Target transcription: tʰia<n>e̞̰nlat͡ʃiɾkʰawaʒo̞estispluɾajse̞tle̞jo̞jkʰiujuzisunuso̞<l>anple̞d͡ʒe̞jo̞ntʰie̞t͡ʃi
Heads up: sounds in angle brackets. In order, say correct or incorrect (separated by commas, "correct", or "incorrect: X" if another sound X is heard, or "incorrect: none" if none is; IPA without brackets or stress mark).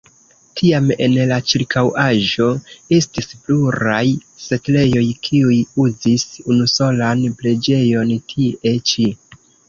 incorrect: m, correct